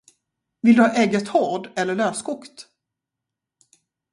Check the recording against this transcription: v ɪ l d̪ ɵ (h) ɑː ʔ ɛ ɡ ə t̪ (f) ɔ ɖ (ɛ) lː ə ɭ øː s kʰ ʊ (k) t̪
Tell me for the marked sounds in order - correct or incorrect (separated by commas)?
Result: correct, incorrect, correct, correct